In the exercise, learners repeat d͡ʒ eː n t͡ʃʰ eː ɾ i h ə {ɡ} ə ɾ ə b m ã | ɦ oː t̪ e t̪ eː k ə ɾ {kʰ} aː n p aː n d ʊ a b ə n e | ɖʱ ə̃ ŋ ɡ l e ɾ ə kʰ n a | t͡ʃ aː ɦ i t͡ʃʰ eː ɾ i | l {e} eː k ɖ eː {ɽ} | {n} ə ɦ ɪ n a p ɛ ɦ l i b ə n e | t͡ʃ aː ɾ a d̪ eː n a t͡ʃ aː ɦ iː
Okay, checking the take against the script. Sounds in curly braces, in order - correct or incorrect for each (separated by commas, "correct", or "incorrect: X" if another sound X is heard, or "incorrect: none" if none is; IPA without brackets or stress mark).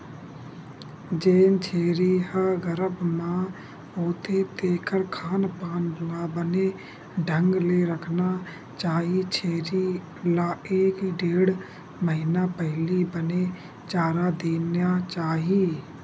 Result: correct, correct, incorrect: a, correct, incorrect: m